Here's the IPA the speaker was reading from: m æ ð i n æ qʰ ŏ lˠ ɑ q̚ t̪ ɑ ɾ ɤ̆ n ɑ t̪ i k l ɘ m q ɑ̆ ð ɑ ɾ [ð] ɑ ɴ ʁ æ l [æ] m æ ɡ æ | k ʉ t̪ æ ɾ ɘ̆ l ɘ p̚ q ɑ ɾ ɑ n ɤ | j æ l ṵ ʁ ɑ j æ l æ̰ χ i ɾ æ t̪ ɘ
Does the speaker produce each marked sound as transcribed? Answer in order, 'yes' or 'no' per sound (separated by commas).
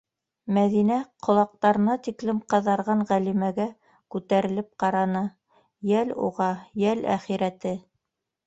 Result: no, no